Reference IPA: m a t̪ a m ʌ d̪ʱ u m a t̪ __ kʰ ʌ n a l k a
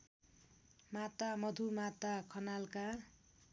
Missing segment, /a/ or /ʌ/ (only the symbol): a